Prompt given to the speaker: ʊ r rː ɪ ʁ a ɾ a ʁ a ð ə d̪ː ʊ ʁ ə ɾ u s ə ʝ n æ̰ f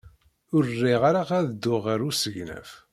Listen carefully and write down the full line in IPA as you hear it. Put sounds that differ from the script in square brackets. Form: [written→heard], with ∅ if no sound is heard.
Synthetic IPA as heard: ʊ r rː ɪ ʁ a ɾ a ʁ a ð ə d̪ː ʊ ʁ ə ɾ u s ə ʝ n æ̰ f